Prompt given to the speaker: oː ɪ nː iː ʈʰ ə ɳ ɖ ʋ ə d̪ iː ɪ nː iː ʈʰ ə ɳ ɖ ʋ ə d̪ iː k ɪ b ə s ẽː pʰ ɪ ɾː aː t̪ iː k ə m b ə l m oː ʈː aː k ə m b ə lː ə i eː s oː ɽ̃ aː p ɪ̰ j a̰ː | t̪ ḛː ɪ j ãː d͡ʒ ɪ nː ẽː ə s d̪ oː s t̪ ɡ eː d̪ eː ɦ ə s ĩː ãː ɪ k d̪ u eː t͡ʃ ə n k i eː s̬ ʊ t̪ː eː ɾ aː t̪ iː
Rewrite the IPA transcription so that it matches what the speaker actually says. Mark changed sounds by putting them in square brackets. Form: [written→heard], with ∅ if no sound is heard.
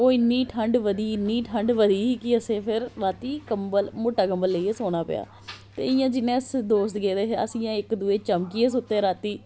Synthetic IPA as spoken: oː ɪ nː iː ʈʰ ə ɳ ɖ ʋ ə d̪ iː ɪ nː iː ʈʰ ə ɳ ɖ ʋ ə d̪ iː k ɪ [b→∅] ə s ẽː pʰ ɪ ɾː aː t̪ iː k ə m b ə l m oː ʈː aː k ə m b ə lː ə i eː s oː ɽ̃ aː p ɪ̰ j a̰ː | t̪ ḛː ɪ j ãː d͡ʒ ɪ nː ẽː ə s d̪ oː s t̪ ɡ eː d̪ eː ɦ ə s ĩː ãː ɪ k d̪ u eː t͡ʃ ə [n→m] k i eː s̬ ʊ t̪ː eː ɾ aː t̪ iː